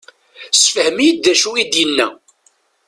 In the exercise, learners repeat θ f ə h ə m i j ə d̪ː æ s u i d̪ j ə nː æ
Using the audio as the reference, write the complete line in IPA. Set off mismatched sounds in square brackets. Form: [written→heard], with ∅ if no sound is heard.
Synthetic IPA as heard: [θ→s] f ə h ə m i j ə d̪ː æ [s→ʃ] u i d̪ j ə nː æ